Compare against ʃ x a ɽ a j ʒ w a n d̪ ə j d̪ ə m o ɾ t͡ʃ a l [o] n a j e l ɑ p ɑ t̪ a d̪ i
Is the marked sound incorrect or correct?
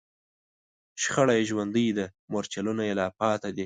incorrect: u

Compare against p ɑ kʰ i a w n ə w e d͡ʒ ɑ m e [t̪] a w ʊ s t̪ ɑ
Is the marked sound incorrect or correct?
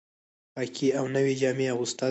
incorrect: none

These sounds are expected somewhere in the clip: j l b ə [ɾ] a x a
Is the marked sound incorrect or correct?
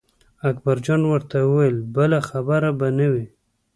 incorrect: l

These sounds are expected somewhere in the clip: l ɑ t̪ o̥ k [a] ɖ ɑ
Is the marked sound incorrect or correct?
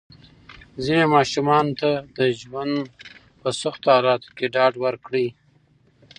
incorrect: e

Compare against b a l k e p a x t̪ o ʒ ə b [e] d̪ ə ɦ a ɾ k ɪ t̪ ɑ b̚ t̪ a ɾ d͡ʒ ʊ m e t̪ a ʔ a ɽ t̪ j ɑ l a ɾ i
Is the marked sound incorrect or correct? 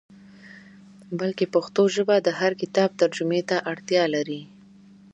incorrect: a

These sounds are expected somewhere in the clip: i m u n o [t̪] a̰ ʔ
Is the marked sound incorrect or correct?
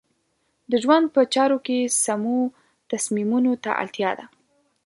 correct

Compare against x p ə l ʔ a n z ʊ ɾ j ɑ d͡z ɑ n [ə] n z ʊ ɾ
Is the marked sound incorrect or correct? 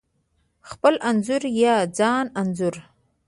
incorrect: a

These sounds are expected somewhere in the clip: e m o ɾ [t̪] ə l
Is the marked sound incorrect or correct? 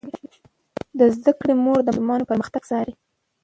incorrect: d̪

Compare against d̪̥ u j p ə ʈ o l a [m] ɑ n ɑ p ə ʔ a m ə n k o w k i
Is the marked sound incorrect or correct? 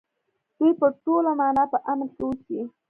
correct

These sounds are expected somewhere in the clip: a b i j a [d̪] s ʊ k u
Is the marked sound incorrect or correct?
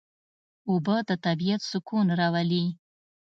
incorrect: t̪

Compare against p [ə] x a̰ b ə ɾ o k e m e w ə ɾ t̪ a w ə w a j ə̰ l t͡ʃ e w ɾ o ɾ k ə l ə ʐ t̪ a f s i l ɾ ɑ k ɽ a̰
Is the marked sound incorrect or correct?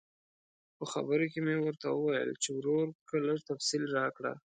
correct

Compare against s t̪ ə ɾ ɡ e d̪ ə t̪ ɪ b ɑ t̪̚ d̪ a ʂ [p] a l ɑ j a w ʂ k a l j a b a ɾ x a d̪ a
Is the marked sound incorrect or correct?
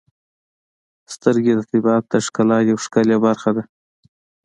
incorrect: k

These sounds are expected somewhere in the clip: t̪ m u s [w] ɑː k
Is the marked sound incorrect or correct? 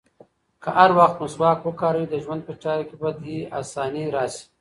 correct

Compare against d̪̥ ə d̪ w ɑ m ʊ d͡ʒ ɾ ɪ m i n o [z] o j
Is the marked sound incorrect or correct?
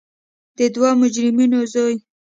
correct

